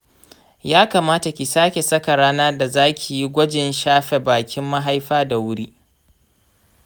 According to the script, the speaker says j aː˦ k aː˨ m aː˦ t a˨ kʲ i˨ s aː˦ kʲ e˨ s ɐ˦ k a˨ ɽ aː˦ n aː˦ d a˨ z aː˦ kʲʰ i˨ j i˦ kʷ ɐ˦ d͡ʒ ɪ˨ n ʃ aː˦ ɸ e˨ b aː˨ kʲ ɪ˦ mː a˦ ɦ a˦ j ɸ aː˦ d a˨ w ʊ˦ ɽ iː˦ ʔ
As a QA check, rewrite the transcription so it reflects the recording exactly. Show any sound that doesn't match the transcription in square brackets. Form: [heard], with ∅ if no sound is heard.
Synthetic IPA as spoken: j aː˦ k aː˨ m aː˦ t a˨ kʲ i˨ s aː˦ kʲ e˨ s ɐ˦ k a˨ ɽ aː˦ n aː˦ d a˨ z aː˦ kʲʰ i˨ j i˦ [ɡʷ] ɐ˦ d͡ʒ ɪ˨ n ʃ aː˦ ɸ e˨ b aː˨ kʲ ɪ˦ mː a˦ ɦ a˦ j ɸ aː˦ d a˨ w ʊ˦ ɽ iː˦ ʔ